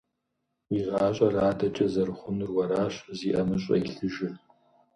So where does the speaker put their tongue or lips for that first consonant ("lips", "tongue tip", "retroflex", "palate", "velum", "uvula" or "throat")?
uvula